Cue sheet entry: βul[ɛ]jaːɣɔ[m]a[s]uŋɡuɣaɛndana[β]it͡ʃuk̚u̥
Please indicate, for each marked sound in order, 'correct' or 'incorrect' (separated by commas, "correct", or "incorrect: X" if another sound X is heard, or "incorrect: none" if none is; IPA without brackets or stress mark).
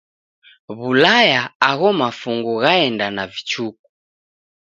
incorrect: a, correct, incorrect: f, incorrect: v